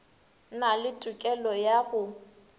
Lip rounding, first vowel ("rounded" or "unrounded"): unrounded